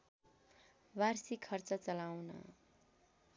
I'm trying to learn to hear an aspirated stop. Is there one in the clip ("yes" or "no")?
yes